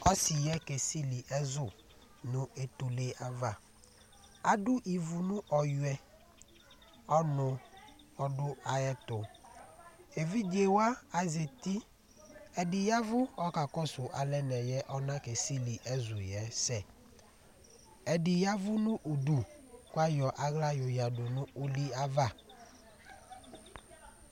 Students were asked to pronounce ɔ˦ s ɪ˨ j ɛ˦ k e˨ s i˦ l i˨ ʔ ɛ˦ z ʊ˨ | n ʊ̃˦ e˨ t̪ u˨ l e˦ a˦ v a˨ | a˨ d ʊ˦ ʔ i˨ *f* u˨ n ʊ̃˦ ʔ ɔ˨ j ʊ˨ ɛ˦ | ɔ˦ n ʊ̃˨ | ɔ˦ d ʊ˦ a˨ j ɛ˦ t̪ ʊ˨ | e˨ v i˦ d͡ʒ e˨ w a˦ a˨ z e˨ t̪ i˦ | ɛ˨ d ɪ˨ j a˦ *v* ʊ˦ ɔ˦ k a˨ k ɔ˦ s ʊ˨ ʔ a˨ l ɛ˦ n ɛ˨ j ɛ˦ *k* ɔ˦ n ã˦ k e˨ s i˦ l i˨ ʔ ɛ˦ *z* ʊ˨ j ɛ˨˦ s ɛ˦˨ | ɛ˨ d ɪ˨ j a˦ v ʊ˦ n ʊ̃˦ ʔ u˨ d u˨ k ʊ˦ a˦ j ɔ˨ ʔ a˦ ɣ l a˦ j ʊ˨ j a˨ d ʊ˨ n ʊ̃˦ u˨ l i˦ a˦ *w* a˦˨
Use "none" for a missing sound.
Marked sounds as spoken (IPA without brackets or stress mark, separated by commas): v, v, ʔ, z, v